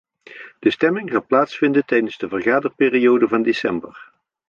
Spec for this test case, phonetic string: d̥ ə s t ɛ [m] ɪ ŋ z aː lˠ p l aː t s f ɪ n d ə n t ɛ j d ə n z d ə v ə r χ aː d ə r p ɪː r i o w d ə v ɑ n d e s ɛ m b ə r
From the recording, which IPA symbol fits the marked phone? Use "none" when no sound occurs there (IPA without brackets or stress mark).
m